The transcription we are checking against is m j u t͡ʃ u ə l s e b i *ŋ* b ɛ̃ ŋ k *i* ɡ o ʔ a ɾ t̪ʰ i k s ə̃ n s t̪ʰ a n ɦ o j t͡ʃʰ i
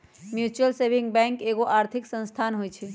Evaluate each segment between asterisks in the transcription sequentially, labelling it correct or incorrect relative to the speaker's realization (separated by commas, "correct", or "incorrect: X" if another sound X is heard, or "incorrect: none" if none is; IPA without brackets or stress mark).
correct, incorrect: e